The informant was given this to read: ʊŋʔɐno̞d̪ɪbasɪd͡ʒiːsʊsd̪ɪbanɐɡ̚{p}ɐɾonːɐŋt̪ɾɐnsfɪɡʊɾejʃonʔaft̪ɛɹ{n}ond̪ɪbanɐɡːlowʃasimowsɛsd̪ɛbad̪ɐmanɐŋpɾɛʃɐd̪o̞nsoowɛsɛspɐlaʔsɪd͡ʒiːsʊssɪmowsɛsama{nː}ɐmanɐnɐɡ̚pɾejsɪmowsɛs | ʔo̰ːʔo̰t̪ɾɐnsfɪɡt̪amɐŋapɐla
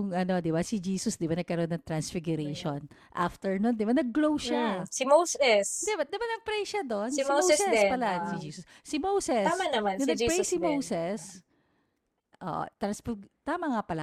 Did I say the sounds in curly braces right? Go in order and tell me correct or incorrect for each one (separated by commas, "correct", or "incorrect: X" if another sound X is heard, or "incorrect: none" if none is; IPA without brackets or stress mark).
incorrect: k, correct, incorrect: n